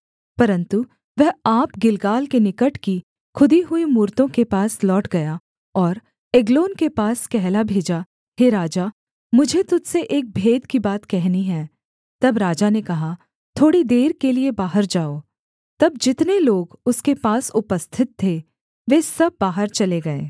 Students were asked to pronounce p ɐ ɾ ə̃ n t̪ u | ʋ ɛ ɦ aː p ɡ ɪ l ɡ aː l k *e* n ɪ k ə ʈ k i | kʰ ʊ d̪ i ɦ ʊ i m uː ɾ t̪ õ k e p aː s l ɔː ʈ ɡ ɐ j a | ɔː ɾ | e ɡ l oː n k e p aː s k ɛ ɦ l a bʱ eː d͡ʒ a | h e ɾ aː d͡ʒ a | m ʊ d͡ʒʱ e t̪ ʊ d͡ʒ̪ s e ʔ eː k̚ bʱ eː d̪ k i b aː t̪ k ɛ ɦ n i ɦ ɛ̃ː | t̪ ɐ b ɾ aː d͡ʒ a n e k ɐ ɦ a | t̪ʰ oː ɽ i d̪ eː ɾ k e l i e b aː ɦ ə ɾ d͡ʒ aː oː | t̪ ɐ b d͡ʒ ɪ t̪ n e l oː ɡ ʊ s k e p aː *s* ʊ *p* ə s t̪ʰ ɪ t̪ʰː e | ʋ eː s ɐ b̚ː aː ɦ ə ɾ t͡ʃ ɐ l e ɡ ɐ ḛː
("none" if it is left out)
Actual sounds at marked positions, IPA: e, s, p

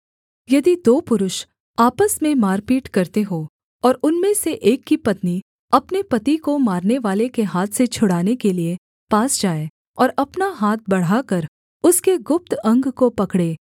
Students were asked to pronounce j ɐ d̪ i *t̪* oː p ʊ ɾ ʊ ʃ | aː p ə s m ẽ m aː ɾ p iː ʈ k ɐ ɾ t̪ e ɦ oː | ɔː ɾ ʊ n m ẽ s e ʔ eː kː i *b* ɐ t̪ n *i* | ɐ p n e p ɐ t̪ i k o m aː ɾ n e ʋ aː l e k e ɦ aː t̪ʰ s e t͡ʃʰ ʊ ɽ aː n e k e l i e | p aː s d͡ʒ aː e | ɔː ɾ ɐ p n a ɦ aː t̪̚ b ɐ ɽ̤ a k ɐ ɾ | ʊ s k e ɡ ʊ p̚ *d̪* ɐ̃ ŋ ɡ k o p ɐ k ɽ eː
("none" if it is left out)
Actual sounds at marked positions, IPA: d̪, p, i, t̪

